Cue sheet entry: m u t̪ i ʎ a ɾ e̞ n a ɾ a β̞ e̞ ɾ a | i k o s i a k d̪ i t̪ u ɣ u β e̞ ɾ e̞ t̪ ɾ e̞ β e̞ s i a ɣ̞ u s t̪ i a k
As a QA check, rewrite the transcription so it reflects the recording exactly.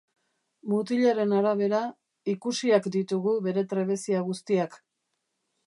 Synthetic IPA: m u t̪ i ʎ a ɾ e̞ n a ɾ a β̞ e̞ ɾ a | i k u s i a k d̪ i t̪ u ɣ u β e̞ ɾ e̞ t̪ ɾ e̞ β e̞ s i a ɣ̞ u s t̪ i a k